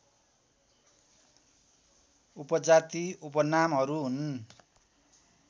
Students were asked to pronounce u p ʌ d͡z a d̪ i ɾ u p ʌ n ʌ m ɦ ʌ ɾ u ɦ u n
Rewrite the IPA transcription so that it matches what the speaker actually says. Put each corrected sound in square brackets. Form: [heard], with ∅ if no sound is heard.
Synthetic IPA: u p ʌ d͡z a [t̪] i [∅] u p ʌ n [a] m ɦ ʌ ɾ u ɦ u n